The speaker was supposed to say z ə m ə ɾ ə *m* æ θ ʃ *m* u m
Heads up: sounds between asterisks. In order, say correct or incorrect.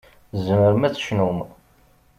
correct, incorrect

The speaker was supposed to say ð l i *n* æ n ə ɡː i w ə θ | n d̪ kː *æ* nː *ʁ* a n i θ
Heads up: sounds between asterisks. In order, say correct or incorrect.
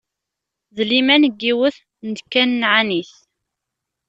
incorrect, correct, incorrect

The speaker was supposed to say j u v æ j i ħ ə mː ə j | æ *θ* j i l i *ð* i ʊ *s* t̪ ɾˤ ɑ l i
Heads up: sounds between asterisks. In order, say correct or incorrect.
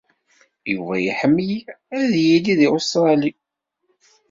incorrect, correct, correct

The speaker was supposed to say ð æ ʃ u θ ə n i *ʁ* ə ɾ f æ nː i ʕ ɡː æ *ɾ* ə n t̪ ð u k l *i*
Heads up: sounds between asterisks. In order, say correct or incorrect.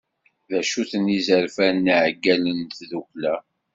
incorrect, incorrect, incorrect

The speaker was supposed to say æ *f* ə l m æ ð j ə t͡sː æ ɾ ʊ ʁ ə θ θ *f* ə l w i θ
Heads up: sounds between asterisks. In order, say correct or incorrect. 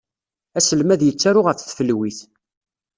incorrect, correct

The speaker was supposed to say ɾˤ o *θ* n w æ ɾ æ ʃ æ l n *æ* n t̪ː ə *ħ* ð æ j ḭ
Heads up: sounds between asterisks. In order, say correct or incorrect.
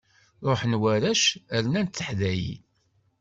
incorrect, correct, correct

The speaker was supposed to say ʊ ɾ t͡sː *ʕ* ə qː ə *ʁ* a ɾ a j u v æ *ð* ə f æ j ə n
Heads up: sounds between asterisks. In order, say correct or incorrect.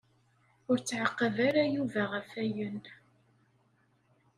correct, incorrect, incorrect

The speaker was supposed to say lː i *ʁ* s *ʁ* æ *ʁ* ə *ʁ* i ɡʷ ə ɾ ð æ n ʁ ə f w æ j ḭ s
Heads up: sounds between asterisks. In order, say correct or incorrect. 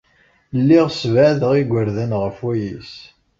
correct, incorrect, incorrect, correct

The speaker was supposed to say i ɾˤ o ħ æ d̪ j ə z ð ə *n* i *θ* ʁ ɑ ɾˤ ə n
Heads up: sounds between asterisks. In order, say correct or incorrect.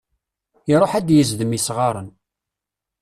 incorrect, incorrect

